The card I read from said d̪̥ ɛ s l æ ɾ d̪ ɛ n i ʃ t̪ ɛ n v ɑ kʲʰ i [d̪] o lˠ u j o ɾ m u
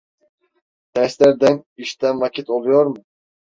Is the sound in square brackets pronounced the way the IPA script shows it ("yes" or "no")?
no